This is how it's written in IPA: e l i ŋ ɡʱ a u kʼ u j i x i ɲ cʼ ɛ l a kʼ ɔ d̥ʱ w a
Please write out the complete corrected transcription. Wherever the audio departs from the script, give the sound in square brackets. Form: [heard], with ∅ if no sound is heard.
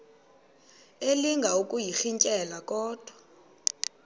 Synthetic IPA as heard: e l i ŋ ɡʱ a u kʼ u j i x i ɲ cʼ ɛ l a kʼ [ɔː] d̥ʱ w a

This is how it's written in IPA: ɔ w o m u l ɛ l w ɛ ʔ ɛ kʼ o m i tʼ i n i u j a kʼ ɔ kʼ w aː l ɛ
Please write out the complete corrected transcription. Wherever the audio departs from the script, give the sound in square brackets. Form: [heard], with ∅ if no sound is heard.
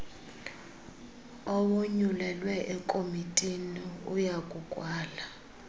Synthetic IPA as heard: ɔ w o [ɲ] u l ɛ l w ɛ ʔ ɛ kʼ o m i tʼ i n i u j a kʼ [u] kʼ w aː l [a]

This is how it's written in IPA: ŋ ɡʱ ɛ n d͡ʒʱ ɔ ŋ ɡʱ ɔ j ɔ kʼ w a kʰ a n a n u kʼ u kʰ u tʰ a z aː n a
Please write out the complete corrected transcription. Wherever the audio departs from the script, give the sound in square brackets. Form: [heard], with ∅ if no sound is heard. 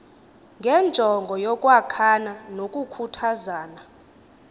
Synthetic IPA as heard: ŋ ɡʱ ɛ n d͡ʒʱ ɔ ŋ ɡʱ ɔ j ɔ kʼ w a kʰ a n a n [o] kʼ u kʰ u tʰ a z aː n a

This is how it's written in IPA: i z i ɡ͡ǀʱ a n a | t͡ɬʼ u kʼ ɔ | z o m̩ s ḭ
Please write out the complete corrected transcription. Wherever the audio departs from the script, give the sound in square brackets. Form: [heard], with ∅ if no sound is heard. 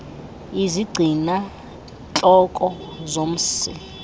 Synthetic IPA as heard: i z i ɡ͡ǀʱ [i] n a | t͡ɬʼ [ɔ] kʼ ɔ | z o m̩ s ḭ

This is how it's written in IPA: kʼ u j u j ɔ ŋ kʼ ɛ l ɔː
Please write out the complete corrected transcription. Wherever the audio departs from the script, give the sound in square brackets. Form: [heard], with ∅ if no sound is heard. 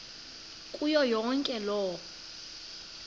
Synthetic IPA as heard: kʼ u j [ɔ] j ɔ ŋ kʼ ɛ l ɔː

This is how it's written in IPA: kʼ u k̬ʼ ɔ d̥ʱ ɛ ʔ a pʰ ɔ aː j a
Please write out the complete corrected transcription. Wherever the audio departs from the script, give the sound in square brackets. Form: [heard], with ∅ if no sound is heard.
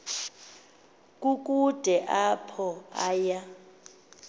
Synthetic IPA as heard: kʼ u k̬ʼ [u] d̥ʱ ɛ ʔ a pʰ ɔ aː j a

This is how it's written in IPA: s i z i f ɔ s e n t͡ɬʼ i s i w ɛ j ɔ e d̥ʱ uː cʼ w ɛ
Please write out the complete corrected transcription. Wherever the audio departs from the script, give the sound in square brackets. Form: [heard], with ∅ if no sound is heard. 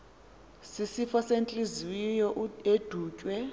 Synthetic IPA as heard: s i [s] i f ɔ s e n t͡ɬʼ i [z] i w [i] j ɔ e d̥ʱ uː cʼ w ɛ

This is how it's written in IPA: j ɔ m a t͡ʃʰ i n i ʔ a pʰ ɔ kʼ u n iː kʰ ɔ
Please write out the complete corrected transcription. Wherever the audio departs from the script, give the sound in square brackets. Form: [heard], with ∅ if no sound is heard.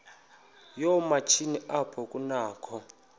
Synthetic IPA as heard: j ɔ m a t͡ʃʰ i n i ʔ a pʰ ɔ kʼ u n [aː] kʰ ɔ

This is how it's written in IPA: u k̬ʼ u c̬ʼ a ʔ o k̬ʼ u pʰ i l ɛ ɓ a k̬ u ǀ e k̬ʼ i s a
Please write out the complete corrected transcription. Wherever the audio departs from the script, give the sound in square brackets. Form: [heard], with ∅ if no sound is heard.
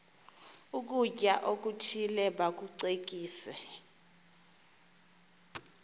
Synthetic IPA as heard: u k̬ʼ u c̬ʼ a ʔ o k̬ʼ u [tʰ] i l ɛ ɓ a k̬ u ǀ e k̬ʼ [iː] s [ɛ]

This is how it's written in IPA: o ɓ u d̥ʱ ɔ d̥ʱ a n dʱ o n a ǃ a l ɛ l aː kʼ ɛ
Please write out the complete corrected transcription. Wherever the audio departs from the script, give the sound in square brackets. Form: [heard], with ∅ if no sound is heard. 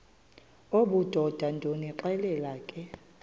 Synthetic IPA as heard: o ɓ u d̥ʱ ɔ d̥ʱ a n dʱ o n [i] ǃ [ɛ] l ɛ l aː kʼ ɛ

